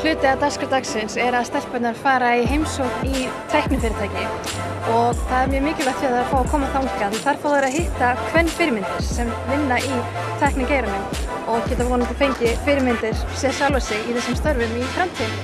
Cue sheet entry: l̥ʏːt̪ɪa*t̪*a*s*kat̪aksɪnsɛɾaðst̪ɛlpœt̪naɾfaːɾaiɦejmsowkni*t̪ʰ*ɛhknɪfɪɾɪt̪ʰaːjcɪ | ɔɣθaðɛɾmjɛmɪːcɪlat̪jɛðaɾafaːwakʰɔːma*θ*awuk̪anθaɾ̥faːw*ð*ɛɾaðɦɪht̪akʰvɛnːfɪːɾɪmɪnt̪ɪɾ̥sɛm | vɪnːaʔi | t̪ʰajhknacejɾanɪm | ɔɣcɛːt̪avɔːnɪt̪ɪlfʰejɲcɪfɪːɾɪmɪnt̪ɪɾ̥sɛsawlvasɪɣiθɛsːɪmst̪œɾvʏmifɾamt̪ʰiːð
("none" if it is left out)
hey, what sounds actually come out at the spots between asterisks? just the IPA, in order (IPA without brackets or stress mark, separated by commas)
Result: t̪, s, t̪ʰ, θ, ð